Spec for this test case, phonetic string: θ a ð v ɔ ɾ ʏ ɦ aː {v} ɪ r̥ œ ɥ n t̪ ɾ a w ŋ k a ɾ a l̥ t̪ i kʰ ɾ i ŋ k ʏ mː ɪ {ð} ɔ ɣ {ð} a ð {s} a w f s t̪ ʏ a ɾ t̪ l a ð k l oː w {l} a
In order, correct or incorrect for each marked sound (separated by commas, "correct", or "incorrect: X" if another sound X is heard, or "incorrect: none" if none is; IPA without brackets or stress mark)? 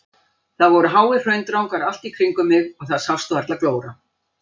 incorrect: w, incorrect: ɣ, incorrect: θ, correct, incorrect: ɾ